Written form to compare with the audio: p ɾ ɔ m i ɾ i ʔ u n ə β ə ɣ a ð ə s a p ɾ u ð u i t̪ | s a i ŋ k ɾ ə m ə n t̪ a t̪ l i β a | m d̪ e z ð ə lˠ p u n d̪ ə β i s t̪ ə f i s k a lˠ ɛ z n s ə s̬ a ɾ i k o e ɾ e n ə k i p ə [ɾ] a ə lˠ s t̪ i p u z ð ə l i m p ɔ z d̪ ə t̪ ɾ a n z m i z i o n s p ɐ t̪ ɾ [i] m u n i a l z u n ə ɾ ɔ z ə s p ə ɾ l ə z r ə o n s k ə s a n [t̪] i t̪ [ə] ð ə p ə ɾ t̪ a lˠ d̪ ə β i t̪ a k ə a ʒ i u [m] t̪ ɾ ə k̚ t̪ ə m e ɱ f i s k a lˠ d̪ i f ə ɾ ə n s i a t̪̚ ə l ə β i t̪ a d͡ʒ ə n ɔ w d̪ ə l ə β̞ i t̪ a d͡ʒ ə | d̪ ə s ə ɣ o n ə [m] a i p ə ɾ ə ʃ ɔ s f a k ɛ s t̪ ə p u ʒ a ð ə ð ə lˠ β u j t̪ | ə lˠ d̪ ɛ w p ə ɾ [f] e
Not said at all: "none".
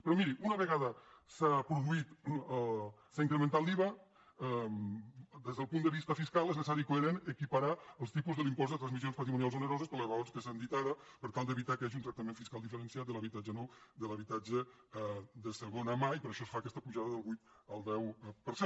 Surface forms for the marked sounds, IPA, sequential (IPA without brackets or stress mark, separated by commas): ɾ, i, d̪, a, n, m, s